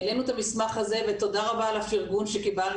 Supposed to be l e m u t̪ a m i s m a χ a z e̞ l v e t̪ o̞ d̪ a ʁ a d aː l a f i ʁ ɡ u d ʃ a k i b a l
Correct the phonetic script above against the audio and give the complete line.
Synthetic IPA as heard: l e n u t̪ a m i s m a χ a z e̞ v e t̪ o̞ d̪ a ʁ a b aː l a f i ʁ ɡ u n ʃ e k i b a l